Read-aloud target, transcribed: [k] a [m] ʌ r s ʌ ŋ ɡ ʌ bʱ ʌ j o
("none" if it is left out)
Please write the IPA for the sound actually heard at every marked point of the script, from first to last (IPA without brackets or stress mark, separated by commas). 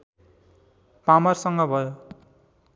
p, m